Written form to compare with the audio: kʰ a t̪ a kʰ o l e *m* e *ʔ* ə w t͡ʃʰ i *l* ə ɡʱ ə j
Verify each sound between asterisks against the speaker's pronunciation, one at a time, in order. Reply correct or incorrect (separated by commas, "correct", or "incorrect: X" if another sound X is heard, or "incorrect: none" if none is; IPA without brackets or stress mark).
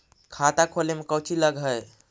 correct, incorrect: k, correct